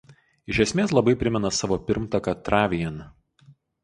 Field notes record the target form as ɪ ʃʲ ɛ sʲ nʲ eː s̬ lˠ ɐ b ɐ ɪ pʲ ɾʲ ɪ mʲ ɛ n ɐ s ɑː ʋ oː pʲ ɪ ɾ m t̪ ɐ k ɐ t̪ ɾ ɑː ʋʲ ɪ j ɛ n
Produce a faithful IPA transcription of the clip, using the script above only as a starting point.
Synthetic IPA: ɪ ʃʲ ɛ sʲ mʲ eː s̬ lˠ ɐ b ɐ ɪ pʲ ɾʲ ɪ mʲ ɛ n ɐ s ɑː ʋ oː pʲ ɪ ɾ m t̪ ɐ k ɐ t̪ ɾ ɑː ʋʲ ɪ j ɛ n